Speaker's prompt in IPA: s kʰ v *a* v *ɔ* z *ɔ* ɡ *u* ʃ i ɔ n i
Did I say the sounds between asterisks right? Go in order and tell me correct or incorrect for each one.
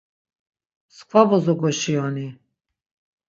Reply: correct, correct, correct, incorrect: ɔ

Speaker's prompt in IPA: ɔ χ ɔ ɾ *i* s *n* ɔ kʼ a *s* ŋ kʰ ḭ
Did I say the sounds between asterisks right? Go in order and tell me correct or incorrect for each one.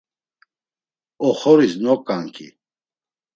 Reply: correct, correct, incorrect: none

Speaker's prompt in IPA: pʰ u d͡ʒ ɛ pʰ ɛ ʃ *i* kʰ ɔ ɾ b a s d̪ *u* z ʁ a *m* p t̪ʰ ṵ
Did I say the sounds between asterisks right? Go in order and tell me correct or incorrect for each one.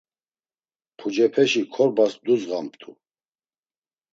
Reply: correct, correct, correct

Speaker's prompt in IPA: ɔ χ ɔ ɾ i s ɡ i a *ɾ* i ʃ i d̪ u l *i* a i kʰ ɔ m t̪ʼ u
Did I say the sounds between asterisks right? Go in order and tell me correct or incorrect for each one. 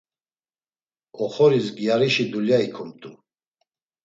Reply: correct, incorrect: j

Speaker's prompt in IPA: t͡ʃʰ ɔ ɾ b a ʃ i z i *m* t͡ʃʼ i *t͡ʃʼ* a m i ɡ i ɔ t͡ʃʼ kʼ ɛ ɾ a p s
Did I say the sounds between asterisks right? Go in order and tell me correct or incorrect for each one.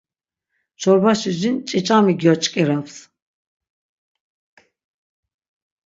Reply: incorrect: n, correct

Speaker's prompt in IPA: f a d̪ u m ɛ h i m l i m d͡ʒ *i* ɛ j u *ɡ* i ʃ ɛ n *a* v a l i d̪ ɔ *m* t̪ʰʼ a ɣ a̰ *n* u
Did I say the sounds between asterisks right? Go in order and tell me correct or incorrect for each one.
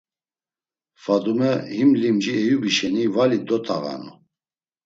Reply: correct, incorrect: b, incorrect: i, incorrect: none, correct

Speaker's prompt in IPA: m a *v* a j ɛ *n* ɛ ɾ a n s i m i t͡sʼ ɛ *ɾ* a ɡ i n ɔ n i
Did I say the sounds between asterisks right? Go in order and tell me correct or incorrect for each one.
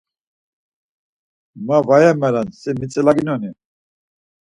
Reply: correct, incorrect: m, incorrect: l

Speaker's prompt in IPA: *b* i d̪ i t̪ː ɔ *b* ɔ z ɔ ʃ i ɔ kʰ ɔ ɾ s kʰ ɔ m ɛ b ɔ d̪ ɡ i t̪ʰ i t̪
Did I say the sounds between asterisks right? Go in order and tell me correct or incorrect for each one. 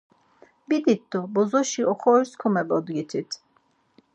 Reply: correct, correct

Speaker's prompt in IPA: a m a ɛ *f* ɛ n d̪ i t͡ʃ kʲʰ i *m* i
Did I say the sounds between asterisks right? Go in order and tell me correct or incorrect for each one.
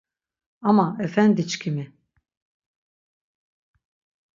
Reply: correct, correct

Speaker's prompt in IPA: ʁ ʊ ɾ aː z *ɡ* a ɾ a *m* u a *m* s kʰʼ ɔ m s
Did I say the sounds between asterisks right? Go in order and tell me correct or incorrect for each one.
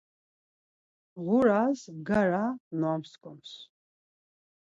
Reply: correct, incorrect: n, correct

